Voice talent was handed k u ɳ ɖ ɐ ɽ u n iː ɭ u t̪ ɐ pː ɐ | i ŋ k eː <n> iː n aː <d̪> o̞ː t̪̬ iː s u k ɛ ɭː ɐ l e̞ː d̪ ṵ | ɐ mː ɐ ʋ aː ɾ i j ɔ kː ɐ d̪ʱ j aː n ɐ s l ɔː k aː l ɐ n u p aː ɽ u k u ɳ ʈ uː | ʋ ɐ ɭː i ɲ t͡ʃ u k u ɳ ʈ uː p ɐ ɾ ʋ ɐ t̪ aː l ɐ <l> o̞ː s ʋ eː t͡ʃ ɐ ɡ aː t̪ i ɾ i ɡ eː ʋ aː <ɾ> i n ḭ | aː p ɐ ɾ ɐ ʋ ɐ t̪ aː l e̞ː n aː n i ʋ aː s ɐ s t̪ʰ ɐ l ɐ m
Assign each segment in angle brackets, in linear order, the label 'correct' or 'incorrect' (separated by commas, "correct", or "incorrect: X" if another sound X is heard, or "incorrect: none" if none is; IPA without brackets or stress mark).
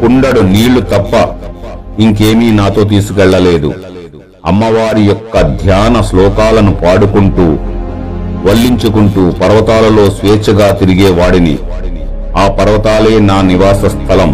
incorrect: m, incorrect: t̪, correct, incorrect: ɽ